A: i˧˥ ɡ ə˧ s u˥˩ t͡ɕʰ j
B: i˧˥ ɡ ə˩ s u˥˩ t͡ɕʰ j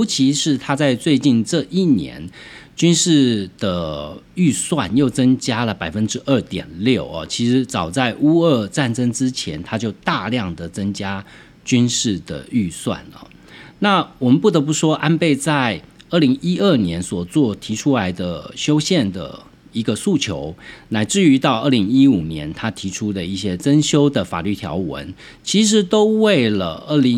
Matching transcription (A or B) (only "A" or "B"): A